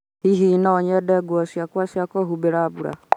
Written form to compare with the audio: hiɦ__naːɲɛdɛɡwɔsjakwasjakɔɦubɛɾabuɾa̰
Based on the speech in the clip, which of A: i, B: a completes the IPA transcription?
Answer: A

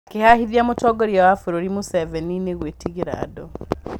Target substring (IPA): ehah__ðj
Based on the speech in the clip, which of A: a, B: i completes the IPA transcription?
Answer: B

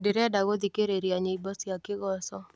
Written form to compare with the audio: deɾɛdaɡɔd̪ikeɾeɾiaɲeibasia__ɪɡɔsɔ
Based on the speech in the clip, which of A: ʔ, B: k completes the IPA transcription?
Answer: B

